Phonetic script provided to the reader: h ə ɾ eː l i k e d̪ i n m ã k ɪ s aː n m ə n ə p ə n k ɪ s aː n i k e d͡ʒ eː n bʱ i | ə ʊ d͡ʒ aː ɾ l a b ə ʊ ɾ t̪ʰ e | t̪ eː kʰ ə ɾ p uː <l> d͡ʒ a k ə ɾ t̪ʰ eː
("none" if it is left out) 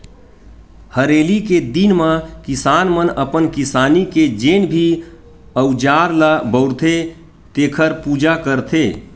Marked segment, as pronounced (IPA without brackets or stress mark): none